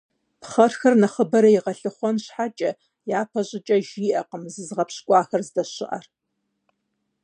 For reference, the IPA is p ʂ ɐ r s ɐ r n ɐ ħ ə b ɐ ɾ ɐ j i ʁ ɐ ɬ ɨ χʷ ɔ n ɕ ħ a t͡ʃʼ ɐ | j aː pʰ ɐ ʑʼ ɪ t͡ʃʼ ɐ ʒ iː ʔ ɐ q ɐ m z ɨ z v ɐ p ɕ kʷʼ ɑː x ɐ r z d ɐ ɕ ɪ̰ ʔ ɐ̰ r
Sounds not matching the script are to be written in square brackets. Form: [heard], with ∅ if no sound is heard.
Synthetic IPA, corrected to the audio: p [χ] ɐ r [x] ɐ r n ɐ [χ] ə b ɐ ɾ ɐ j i ʁ ɐ ɬ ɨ χʷ ɔ n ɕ ħ a t͡ʃʼ ɐ | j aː pʰ ɐ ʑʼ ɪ t͡ʃʼ ɐ ʒ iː ʔ ɐ q [ə] m z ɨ z [ʁ] ɐ p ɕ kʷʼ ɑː x ɐ r z d ɐ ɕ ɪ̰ ʔ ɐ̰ r